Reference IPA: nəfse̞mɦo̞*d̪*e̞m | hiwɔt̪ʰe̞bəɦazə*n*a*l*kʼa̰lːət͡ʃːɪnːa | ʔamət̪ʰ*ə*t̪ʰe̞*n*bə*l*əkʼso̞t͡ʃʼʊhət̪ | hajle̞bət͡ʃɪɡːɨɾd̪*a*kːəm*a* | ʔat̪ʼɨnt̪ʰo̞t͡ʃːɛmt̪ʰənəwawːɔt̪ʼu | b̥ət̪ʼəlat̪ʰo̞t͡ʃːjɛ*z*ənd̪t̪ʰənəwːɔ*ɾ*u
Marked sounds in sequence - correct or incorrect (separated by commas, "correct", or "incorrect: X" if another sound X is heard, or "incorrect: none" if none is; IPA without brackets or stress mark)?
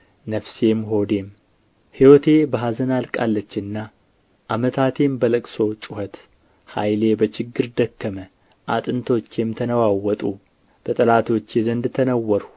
correct, correct, correct, incorrect: a, incorrect: m, correct, incorrect: ə, incorrect: ə, correct, correct